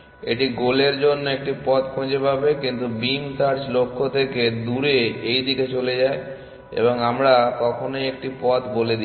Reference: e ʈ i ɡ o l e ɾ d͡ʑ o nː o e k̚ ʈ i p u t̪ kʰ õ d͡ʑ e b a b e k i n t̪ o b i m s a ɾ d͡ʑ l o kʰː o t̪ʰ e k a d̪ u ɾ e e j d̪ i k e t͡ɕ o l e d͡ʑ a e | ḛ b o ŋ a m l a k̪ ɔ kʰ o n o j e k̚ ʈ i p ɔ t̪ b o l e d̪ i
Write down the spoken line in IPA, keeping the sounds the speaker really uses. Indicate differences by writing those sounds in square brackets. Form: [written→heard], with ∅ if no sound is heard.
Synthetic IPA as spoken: e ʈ i ɡ o l e ɾ d͡ʑ o nː o e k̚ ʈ i p [u→ɔ] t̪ kʰ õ d͡ʑ e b a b e k i n t̪ [o→u] b i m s a ɾ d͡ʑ l o kʰː o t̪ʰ e k [a→e] d̪ u ɾ e e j d̪ i k e t͡ɕ o l e d͡ʑ a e | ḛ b o ŋ a m [l→ɾ] a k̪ ɔ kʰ o n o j e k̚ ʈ i p ɔ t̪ b o l e d̪ i